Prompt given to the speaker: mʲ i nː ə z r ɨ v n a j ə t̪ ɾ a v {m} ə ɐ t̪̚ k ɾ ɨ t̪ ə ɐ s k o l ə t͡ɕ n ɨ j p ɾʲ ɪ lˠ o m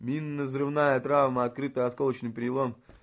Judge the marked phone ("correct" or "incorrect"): correct